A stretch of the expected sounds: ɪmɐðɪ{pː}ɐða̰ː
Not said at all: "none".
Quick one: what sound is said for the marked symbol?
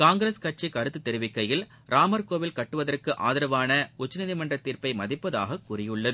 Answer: pː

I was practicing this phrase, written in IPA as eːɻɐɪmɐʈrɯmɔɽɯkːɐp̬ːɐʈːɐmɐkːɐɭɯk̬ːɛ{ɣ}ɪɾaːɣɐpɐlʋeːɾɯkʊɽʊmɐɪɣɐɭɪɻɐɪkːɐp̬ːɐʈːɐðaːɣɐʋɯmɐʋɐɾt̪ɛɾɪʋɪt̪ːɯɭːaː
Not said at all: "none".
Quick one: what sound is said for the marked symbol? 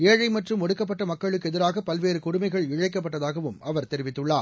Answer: ð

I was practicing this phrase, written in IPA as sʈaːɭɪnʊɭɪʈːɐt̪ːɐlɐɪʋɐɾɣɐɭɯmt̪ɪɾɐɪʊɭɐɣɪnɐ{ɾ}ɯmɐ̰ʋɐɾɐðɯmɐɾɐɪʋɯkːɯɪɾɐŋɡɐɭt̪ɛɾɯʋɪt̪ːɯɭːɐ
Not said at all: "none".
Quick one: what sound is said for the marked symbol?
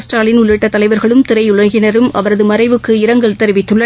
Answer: ɾ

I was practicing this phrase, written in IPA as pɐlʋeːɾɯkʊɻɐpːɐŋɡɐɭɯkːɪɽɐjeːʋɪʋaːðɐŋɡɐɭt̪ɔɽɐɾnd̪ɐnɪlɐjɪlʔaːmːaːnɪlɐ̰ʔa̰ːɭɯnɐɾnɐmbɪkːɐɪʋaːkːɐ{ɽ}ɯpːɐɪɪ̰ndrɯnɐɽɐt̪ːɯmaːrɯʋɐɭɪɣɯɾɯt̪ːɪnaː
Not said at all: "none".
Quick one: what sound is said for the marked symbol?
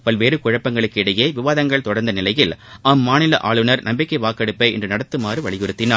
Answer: ɽ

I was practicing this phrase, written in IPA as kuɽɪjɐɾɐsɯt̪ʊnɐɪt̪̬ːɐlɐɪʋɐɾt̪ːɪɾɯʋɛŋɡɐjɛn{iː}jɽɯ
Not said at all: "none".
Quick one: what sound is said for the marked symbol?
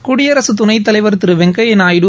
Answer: aː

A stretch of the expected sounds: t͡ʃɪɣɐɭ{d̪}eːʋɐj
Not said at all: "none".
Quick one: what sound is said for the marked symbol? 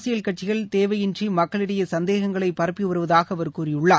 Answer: t̪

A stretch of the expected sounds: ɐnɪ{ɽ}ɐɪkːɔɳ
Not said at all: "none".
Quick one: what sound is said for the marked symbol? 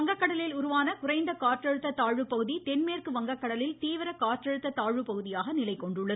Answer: l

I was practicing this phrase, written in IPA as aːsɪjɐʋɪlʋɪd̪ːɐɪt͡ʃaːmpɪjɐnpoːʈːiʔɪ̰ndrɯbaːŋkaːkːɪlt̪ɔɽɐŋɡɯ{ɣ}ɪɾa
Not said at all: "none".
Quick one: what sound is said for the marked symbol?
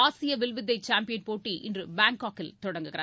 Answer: ɣ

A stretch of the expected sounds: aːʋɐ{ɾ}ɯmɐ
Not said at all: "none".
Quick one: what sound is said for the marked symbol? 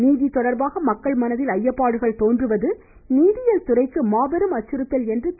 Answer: ɾ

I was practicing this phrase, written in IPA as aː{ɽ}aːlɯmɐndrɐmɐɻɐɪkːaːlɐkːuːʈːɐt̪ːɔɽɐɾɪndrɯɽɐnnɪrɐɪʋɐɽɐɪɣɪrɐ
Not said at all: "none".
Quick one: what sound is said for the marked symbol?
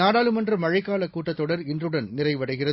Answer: ɽ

